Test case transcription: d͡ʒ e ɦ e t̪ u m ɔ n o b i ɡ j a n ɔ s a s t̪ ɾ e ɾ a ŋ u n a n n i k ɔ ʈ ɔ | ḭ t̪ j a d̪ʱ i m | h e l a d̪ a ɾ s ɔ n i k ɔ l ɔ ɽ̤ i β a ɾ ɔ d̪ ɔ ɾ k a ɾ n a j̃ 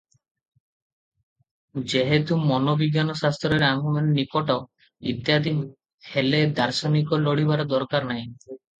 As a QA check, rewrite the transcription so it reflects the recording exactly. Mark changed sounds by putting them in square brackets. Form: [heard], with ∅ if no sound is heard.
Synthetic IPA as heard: d͡ʒ e ɦ e t̪ u m ɔ n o b i ɡ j a n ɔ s a s t̪ ɾ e ɾ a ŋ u [m] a n n i k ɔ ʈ ɔ | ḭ t̪ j a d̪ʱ i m | h e l [e] d̪ a ɾ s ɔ n i k ɔ l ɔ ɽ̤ i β a ɾ ɔ d̪ ɔ ɾ k a ɾ n a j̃